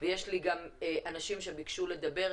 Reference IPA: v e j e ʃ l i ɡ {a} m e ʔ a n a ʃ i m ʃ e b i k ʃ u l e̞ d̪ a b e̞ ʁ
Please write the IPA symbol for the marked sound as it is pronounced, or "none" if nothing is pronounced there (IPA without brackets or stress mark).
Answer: a